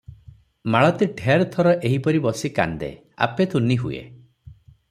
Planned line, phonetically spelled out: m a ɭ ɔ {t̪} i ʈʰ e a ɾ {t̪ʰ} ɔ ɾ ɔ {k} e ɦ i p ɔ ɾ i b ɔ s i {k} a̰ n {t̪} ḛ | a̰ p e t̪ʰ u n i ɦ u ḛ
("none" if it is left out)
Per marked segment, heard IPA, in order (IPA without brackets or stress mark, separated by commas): t̪, t̪ʰ, ʔ, k, d̪